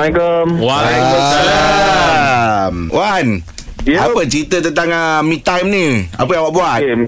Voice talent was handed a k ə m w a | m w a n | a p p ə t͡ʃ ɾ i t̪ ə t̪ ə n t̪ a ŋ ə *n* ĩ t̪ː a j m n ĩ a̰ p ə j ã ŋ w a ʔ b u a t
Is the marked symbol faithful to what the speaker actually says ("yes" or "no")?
no